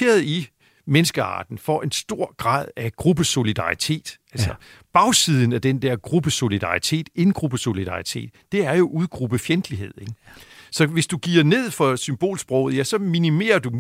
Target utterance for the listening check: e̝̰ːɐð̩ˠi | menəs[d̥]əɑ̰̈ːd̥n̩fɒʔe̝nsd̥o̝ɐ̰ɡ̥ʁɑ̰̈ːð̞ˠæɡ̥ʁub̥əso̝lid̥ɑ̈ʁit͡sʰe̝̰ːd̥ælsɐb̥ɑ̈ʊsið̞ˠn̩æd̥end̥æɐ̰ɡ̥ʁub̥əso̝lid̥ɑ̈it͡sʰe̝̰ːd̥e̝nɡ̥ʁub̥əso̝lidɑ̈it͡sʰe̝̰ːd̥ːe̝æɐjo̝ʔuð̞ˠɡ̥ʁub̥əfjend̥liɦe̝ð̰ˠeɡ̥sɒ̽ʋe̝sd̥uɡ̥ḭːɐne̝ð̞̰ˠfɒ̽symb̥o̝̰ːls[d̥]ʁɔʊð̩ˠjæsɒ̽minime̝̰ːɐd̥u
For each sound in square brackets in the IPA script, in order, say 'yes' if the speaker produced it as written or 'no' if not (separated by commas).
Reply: no, no